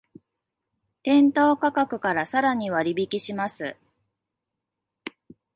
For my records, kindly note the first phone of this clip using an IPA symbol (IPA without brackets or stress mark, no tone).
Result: t̪